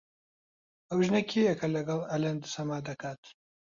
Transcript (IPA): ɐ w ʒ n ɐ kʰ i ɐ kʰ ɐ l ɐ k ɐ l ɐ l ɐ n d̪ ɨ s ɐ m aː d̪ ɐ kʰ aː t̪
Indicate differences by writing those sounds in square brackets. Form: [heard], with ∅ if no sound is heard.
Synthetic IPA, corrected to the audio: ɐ w ʒ n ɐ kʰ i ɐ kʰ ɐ l ɐ [ɡ] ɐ l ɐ l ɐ n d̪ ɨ s ɐ m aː d̪ ɐ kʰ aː t̪